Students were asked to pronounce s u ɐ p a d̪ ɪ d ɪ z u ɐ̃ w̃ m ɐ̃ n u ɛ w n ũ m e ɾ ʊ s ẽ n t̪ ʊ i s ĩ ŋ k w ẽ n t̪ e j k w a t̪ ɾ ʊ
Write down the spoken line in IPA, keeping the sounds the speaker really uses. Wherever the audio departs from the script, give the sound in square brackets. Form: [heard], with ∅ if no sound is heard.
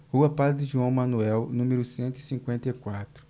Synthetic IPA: [h] u ɐ p a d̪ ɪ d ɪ [ʒ] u ɐ̃ w̃ m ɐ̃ n u ɛ w n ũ m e ɾ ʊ s ẽ n t̪ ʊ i s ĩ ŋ k w ẽ n t̪ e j k w a t̪ ɾ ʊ